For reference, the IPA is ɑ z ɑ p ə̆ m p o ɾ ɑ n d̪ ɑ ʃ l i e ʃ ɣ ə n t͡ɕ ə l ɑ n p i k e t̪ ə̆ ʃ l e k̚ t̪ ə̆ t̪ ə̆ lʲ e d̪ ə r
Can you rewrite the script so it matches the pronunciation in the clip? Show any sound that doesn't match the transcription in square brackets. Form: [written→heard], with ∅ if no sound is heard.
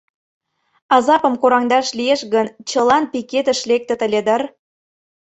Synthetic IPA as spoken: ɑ z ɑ p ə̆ m [p→k] o ɾ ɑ [n→ŋ] d̪ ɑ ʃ l i e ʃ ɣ ə n t͡ɕ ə l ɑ n p i k e t̪ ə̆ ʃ l e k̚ t̪ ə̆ t̪ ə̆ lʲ e d̪ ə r